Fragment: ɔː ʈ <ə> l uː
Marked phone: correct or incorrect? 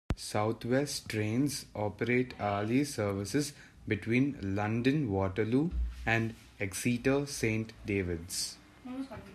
correct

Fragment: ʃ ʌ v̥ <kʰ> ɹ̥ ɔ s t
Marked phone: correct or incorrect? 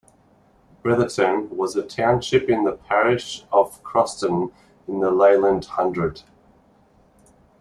correct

